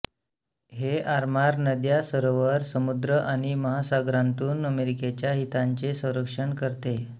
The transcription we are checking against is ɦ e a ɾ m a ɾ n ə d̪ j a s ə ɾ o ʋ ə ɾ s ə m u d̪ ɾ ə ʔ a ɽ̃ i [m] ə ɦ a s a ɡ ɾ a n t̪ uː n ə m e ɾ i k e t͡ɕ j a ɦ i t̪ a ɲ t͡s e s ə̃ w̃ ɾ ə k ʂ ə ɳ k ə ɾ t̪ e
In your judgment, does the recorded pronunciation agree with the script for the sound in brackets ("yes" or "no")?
yes